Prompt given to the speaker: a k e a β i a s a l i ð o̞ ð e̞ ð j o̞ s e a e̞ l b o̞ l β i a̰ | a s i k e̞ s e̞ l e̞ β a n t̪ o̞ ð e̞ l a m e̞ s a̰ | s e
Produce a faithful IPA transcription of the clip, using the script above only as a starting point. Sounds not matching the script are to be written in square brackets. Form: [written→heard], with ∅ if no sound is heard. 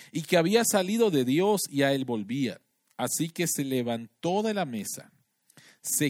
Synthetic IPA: [a→i] k e a β i a s a l i ð o̞ ð e̞ ð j o̞ s [e→i] a e̞ l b o̞ l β i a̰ | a s i k e̞ s e̞ l e̞ β a n t̪ o̞ ð e̞ l a m e̞ s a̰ | s e